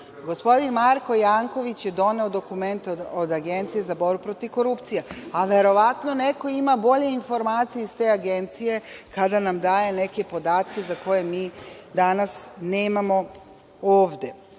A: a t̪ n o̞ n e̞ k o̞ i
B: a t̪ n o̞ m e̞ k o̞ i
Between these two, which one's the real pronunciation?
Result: A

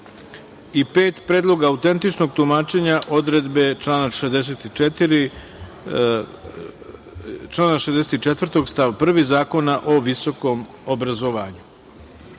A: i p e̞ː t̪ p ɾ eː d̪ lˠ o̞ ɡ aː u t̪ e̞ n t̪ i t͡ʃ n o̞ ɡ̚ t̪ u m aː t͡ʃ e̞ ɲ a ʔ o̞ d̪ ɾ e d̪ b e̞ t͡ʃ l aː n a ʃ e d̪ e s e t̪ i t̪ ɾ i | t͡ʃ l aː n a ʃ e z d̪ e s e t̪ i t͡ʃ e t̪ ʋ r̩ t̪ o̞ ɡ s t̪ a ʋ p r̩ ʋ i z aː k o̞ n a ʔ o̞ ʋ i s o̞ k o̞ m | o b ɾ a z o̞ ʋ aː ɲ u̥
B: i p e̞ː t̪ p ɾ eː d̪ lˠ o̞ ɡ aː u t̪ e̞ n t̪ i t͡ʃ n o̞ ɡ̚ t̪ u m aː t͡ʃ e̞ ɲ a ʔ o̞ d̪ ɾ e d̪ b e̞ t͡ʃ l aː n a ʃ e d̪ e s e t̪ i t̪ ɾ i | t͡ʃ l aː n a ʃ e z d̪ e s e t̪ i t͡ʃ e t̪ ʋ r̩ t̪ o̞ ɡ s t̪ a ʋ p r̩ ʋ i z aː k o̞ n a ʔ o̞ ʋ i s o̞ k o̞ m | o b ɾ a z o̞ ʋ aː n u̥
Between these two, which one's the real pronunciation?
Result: A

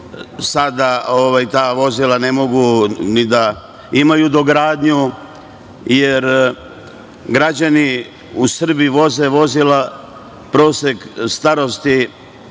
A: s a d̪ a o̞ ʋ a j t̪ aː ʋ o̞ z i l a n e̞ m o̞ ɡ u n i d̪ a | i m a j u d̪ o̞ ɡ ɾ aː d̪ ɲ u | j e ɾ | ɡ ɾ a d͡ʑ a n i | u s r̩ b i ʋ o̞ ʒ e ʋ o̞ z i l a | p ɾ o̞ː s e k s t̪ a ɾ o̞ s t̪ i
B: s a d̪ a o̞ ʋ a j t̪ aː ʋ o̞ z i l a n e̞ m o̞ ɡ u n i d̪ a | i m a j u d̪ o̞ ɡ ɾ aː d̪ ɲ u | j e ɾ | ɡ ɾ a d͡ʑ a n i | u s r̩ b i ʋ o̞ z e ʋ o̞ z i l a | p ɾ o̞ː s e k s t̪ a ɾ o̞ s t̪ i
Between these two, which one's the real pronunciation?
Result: B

